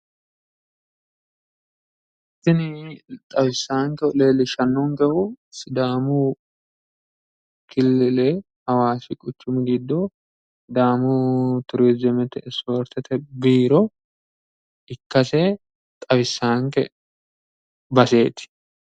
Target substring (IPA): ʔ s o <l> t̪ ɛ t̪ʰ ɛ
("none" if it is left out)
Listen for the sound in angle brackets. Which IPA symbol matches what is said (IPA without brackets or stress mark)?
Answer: ɾ